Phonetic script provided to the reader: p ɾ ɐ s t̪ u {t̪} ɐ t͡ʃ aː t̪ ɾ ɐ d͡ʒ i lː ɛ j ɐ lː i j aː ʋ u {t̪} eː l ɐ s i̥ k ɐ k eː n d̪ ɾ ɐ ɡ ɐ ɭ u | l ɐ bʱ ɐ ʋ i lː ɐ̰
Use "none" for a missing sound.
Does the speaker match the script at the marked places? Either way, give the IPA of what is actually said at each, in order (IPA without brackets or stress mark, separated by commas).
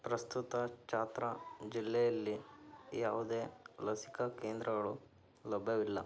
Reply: t̪, d̪